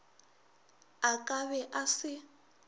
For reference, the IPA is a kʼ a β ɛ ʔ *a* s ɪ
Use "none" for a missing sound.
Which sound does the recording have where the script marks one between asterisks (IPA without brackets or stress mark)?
a